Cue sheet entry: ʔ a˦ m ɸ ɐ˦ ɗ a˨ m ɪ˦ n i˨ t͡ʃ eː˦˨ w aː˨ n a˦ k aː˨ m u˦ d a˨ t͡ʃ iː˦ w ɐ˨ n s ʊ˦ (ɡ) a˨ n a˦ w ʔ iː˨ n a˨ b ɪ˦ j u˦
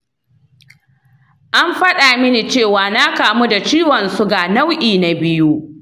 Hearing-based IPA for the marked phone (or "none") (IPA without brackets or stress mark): ɡ